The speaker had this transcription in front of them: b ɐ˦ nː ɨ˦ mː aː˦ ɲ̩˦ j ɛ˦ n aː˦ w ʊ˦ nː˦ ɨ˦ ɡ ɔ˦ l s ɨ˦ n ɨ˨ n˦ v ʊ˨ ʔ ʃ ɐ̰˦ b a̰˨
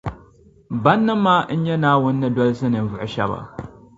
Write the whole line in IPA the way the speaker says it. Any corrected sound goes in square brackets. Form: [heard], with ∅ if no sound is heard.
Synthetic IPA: b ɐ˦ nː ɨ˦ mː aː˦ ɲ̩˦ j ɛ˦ n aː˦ w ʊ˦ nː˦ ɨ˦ [d] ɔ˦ l s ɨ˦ n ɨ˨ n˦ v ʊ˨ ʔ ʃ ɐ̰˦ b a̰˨